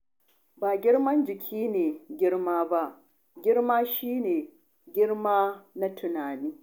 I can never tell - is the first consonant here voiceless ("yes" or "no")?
no